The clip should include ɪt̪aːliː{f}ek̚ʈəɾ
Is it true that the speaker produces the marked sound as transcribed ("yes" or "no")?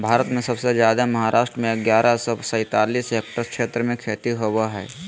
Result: no